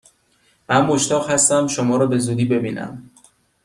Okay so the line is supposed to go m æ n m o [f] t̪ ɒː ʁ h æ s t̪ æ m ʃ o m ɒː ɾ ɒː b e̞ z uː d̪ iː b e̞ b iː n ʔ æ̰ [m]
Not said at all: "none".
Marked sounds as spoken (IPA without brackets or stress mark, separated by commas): ʃ, m